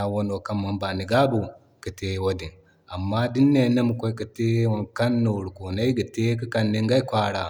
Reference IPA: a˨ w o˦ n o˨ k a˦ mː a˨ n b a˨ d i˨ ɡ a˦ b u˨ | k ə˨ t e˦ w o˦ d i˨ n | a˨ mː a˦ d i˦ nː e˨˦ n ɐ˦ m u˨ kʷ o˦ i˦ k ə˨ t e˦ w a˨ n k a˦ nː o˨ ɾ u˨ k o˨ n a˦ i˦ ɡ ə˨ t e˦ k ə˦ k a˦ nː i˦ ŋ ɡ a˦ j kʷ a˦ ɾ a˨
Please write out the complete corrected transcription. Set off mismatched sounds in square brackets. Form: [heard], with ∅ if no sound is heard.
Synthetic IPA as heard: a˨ w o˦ n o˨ k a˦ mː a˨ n b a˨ [n] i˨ ɡ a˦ b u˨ | k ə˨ t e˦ w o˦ d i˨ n | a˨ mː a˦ d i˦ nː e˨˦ n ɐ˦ m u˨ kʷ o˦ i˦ k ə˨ t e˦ w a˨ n k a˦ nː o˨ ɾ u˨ k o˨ n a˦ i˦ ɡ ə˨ t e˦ k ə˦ k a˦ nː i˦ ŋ ɡ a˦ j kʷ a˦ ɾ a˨